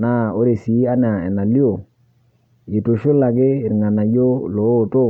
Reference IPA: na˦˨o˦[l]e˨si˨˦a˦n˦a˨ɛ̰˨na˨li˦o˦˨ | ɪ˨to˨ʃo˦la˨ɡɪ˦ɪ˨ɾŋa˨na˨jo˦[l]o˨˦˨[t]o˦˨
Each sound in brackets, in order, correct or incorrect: incorrect, correct, correct

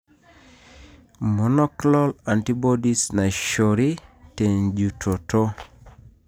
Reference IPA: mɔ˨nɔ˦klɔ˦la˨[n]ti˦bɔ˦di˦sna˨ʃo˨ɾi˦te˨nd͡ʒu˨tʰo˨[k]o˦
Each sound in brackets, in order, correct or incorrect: correct, incorrect

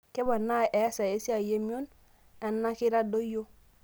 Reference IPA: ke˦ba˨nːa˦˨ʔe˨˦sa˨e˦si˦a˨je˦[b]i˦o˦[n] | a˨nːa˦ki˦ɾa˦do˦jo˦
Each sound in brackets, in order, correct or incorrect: incorrect, correct

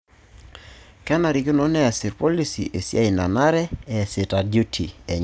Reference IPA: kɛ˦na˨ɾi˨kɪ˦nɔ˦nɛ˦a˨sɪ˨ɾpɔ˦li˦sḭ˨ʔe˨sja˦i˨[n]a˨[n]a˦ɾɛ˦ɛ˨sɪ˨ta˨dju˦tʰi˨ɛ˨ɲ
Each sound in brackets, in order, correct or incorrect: correct, correct

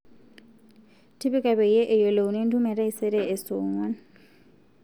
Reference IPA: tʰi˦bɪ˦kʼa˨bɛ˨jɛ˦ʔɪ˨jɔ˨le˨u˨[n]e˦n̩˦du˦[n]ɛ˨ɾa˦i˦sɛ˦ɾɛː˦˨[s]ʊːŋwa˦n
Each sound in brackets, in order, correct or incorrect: correct, incorrect, correct

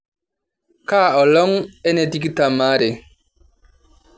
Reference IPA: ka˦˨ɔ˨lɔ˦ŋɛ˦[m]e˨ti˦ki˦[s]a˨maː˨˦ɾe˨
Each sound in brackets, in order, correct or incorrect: incorrect, incorrect

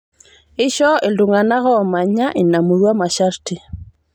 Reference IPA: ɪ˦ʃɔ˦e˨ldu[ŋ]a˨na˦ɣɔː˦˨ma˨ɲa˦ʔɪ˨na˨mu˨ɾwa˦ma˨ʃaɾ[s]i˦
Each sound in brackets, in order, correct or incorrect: correct, incorrect

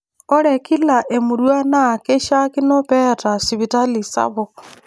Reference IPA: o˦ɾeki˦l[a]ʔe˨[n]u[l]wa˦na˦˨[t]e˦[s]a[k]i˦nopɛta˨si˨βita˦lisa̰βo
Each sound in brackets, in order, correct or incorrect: correct, incorrect, incorrect, incorrect, incorrect, correct

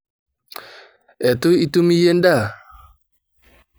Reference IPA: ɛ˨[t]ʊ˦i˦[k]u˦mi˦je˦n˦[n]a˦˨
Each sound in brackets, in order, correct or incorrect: correct, incorrect, incorrect

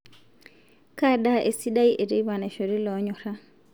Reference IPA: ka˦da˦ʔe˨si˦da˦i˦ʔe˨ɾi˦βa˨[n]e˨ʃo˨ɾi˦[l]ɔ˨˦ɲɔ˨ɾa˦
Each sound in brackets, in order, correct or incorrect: correct, correct

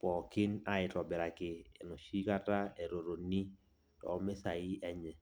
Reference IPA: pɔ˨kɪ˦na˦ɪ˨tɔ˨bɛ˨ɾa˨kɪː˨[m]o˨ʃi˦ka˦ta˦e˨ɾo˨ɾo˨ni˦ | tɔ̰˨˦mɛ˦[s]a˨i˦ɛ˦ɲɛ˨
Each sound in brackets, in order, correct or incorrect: incorrect, correct

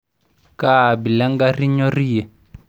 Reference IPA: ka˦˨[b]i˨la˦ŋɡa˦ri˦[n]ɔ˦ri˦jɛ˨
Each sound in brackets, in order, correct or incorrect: correct, incorrect

